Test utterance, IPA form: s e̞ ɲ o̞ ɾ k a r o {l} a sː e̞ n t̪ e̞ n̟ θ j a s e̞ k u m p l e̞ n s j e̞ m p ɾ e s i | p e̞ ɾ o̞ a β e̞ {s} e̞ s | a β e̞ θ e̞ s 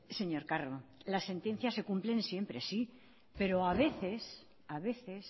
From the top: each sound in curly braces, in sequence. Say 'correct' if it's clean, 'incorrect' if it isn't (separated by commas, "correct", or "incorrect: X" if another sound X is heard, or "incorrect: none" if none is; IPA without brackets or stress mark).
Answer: correct, incorrect: θ